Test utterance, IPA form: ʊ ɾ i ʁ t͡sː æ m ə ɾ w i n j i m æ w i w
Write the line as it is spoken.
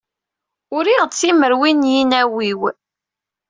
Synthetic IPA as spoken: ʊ ɾ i ʁ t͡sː i m ə ɾ w i n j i n æ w i w